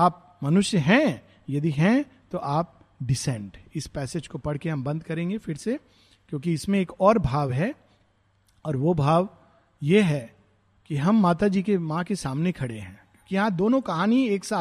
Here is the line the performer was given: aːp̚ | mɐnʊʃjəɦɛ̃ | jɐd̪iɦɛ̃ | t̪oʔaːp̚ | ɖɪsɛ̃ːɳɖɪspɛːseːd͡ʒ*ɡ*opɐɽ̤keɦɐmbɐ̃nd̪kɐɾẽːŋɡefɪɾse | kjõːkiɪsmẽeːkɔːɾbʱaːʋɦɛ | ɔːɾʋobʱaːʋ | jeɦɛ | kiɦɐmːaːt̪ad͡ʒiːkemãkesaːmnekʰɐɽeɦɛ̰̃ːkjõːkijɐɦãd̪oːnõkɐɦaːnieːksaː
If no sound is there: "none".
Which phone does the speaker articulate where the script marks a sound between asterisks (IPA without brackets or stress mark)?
k